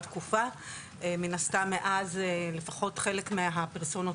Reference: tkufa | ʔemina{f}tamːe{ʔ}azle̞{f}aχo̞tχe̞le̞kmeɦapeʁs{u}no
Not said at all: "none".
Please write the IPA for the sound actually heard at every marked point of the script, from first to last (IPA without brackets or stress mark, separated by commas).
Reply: s, ʔ, f, o